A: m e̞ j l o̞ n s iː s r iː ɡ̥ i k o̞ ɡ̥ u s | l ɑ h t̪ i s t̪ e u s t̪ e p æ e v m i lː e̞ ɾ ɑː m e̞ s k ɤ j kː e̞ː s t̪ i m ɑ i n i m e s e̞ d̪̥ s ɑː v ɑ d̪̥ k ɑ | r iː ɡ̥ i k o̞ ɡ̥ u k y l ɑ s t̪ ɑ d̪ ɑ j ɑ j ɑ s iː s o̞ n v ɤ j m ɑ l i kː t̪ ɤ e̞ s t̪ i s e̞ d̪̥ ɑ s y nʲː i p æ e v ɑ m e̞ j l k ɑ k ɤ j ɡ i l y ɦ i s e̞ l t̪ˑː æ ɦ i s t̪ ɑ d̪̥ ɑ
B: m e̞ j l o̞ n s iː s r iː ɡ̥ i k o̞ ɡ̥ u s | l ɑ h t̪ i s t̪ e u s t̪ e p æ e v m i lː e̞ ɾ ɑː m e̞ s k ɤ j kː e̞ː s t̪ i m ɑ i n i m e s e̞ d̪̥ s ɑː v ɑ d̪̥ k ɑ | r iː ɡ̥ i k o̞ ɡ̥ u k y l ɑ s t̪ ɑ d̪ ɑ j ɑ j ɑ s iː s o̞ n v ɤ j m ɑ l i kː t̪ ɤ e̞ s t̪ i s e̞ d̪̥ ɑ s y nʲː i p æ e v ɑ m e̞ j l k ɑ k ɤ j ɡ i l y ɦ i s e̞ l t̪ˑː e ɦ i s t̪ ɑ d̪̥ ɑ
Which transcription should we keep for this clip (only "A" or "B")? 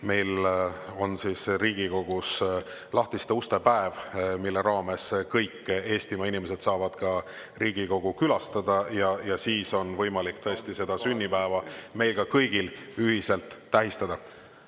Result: A